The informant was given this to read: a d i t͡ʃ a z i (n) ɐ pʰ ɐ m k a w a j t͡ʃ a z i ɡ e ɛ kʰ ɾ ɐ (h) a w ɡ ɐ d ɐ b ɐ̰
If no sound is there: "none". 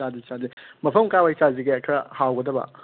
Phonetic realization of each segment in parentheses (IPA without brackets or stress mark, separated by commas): m, h